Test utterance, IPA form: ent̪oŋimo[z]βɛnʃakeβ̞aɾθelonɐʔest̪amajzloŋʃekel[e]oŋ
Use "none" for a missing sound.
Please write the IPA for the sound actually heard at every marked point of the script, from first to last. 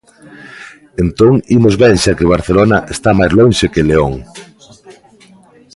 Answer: z, e

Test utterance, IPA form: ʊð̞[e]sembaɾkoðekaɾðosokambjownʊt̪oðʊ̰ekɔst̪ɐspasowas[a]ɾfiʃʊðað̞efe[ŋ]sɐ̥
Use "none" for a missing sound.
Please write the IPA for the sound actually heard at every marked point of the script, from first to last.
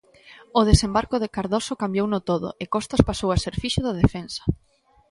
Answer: e, e, n

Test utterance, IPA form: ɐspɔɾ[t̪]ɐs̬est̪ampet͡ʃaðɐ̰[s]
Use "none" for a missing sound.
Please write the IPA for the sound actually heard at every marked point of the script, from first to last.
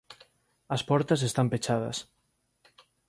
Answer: t̪, s

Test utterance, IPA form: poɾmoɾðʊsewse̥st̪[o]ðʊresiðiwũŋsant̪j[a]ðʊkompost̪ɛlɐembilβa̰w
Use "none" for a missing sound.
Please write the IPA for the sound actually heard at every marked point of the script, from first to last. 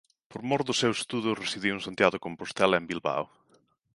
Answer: u, a

